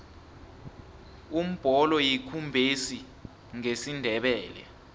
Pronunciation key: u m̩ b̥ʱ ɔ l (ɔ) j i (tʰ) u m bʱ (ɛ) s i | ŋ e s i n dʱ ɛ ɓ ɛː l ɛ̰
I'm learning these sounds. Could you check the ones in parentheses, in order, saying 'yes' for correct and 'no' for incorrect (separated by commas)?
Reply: yes, no, no